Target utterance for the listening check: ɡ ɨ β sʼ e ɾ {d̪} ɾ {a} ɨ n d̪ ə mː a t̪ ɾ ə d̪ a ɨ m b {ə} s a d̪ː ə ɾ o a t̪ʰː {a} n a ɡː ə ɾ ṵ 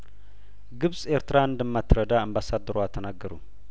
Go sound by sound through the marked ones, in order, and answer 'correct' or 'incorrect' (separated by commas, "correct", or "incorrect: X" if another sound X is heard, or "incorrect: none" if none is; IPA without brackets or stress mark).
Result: incorrect: t̪, correct, incorrect: a, incorrect: ə